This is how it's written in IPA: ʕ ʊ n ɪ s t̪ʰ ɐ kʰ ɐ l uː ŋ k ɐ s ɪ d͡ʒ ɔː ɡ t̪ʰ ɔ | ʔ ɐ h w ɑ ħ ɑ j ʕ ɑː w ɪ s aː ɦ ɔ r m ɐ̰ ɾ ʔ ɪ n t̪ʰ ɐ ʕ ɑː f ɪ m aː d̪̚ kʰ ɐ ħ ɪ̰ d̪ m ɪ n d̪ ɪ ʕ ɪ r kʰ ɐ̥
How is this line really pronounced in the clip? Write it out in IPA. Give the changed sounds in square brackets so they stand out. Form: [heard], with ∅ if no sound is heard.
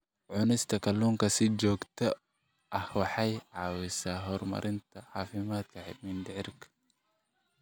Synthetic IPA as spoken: ʕ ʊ n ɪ s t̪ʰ ɐ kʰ ɐ l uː ŋ k ɐ s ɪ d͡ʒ ɔː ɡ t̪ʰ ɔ | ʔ ɐ h w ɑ ħ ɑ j ʕ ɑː w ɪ s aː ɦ ɔ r m ɐ̰ ɾ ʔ ɪ n t̪ʰ ɐ ʕ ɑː f ɪ m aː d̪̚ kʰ ɐ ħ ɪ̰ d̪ m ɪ n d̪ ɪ ʕ ɪ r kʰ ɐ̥